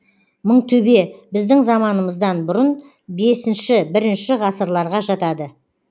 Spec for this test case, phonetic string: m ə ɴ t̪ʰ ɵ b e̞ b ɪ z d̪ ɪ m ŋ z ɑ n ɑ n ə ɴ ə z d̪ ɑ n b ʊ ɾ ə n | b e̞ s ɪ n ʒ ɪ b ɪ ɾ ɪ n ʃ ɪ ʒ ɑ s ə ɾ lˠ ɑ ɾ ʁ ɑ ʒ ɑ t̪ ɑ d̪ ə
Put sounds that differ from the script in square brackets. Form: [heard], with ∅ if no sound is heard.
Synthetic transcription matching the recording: m ə ɴ t̪ʰ ɵ b e̞ b ɪ z d̪ ɪ [∅] ŋ z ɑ [m] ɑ n ə [m] ə z d̪ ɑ n b ʊ ɾ ə n | b e̞ s ɪ n [ʃ] ɪ b ɪ ɾ ɪ n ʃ ɪ [ʁ] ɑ s ə ɾ lˠ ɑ ɾ ʁ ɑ ʒ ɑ t̪ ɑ d̪ ə